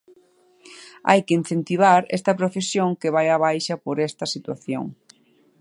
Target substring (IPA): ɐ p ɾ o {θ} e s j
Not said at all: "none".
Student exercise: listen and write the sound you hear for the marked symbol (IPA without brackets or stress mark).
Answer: f